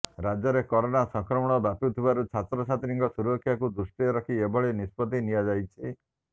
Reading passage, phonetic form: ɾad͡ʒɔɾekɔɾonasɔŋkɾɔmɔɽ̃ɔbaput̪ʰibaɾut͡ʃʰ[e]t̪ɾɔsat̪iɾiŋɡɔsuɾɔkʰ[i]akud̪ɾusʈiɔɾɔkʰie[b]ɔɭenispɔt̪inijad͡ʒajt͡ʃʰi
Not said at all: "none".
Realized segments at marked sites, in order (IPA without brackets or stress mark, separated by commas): a, j, b